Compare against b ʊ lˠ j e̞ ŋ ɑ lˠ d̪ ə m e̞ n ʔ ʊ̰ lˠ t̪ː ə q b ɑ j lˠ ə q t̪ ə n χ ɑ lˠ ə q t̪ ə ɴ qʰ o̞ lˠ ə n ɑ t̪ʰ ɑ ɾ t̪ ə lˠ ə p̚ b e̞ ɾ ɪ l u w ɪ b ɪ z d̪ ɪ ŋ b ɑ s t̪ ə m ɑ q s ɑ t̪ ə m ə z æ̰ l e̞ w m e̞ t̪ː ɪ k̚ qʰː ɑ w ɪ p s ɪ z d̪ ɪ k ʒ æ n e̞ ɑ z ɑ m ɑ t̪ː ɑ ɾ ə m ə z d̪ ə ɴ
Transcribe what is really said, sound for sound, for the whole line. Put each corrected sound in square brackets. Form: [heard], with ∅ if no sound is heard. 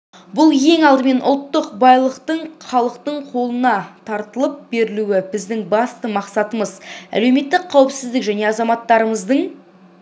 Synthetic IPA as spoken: b ʊ lˠ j e̞ ŋ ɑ lˠ d̪ ə m e̞ n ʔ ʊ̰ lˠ t̪ː ə q b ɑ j lˠ ə q t̪ ə [ɴ] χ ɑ lˠ ə q t̪ ə ɴ qʰ o̞ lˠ ə n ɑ t̪ʰ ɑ ɾ t̪ ə lˠ ə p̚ b e̞ ɾ ɪ l u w ɪ b ɪ z d̪ ɪ ŋ b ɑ s t̪ ə m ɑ q s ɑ t̪ ə m ə z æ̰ l e̞ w m e̞ t̪ː ɪ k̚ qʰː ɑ w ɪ p s ɪ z d̪ ɪ k ʒ æ n e̞ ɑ z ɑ m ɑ t̪ː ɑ ɾ ə m ə z d̪ ə ɴ